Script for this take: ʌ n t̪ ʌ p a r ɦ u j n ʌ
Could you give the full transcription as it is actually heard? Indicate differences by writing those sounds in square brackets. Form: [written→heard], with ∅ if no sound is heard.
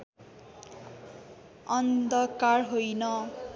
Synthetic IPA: ʌ n [t̪→d̪] ʌ [p→k] a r ɦ [u→o] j n ʌ